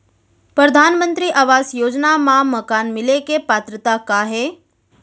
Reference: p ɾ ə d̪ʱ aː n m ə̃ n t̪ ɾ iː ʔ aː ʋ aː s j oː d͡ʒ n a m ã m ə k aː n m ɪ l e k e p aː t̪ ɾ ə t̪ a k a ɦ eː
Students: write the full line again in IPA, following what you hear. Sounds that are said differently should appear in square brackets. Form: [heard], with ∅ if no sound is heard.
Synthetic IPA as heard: p ɾ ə d̪ʱ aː n m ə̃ n t̪ ɾ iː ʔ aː ʋ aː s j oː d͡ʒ n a m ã m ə k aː n m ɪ l e k e p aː t̪ ɾ ə t̪ a k a ɦ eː